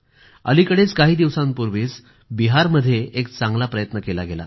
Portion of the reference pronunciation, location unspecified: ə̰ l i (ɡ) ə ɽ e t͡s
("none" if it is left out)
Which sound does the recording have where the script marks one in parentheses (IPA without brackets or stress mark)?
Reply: k